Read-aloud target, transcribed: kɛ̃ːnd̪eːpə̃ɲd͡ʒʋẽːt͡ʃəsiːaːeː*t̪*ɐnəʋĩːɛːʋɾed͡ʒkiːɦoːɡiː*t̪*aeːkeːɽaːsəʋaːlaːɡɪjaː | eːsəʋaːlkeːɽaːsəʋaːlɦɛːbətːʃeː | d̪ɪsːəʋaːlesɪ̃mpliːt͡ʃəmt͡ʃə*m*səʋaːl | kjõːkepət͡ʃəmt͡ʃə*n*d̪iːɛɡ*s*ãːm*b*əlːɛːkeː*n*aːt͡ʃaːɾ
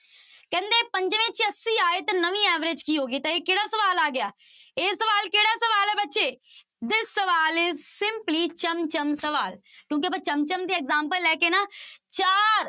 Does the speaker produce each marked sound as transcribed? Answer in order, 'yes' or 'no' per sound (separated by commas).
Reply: yes, yes, yes, no, no, no, yes